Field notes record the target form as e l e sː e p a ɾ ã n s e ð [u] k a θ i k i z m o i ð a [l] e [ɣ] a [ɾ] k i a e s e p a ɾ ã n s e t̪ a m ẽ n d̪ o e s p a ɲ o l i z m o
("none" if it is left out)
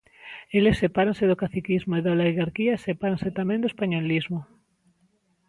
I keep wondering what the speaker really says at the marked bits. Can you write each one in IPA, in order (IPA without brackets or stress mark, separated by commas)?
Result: o, l, ɣ, ɾ